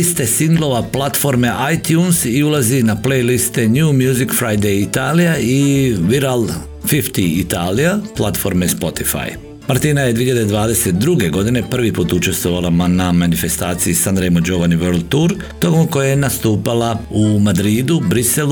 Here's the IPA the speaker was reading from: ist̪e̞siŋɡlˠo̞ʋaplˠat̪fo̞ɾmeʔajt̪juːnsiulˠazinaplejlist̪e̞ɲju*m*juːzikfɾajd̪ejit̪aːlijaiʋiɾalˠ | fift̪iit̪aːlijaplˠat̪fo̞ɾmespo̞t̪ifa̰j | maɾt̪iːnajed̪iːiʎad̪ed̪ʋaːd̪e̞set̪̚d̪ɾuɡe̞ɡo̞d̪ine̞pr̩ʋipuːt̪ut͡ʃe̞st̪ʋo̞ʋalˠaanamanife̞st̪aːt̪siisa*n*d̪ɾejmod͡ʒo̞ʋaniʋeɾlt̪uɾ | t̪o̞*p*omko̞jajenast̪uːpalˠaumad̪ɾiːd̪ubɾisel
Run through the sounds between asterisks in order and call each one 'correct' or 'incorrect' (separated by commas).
correct, correct, incorrect